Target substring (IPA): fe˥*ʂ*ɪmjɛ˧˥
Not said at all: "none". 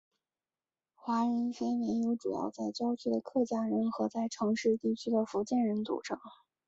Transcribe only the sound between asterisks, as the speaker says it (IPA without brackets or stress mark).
none